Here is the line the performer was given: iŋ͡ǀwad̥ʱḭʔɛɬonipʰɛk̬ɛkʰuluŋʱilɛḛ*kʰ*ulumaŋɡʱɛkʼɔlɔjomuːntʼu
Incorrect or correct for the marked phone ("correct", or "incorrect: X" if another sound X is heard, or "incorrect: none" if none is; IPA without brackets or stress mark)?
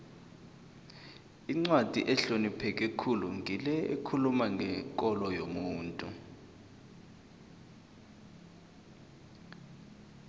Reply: correct